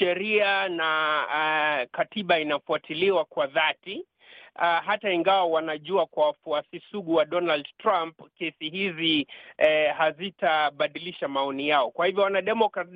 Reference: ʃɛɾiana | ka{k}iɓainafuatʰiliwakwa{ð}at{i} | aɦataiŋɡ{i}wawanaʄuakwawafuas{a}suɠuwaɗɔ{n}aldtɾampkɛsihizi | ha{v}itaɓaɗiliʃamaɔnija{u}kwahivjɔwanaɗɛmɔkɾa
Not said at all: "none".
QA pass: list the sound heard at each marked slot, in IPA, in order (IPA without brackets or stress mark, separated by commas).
t, ð, i, a, i, n, z, ɔ